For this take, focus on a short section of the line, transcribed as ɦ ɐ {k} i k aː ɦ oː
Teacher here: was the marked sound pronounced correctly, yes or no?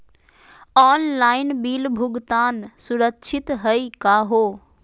no